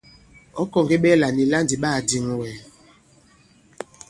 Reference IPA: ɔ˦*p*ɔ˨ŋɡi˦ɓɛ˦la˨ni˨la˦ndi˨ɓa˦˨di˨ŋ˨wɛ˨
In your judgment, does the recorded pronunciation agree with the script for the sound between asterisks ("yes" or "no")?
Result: no